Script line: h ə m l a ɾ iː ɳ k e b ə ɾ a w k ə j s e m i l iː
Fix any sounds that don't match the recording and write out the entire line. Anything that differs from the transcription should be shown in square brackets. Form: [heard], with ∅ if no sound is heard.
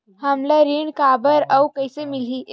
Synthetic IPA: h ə m l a ɾ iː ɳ k [a] b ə ɾ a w k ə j s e m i l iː